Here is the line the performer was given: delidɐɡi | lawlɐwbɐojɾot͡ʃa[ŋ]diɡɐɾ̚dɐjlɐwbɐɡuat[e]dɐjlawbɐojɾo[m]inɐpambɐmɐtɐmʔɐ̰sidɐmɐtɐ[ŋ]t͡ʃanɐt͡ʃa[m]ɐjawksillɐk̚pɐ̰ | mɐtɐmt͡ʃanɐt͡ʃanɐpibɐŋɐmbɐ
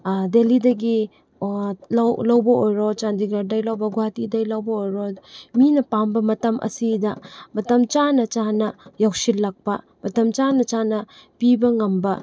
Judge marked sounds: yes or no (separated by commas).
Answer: no, no, yes, no, no